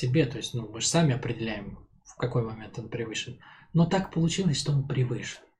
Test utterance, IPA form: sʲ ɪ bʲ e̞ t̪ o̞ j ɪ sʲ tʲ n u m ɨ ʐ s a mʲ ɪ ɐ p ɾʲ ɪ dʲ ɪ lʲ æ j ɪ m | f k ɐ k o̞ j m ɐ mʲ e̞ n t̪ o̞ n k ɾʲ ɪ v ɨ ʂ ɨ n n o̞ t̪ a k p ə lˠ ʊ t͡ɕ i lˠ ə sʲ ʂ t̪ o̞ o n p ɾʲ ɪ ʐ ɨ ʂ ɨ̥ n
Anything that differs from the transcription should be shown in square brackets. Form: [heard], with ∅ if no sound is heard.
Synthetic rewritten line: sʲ ɪ bʲ e̞ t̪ o̞ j ɪ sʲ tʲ n u m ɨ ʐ s a mʲ ɪ ɐ p ɾʲ ɪ dʲ ɪ lʲ æ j ɪ m | f k ɐ k o̞ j m ɐ mʲ e̞ n t̪ o̞ n [p] ɾʲ ɪ v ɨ ʂ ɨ n n o̞ t̪ a k p ə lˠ ʊ t͡ɕ i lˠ ə sʲ ʂ t̪ o̞ o n p ɾʲ ɪ [v] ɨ ʂ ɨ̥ n